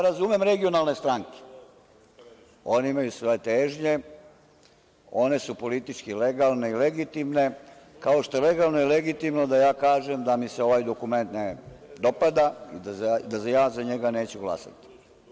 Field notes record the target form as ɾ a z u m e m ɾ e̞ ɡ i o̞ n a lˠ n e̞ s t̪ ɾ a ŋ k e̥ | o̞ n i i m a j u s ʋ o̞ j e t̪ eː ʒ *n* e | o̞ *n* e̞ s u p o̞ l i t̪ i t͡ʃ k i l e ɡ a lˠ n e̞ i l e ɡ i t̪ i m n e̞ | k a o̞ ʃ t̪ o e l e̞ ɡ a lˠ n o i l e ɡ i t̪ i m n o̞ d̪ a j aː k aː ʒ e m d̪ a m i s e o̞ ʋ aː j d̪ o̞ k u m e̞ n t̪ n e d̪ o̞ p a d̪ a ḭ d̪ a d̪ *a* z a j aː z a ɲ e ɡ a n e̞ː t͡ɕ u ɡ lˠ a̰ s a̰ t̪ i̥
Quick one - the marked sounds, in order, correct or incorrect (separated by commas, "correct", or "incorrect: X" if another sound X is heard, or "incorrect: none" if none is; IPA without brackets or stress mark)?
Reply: incorrect: ɲ, correct, correct